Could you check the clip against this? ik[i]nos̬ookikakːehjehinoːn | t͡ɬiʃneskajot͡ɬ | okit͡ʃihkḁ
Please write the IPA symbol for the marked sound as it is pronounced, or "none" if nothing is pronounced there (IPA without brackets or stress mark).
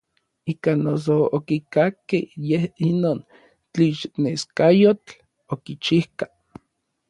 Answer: a